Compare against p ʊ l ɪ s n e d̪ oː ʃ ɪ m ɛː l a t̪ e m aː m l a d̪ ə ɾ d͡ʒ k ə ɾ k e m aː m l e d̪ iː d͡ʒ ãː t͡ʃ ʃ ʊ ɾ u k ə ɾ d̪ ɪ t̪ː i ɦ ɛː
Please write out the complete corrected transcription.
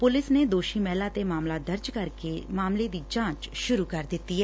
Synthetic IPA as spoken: p ʊ l ɪ s n e d̪ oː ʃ i m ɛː l a t̪ e m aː m l a d̪ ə ɾ d͡ʒ k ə ɾ k e m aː m l e d̪ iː d͡ʒ ãː t͡ʃ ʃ ʊ ɾ u k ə ɾ d̪ ɪ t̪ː i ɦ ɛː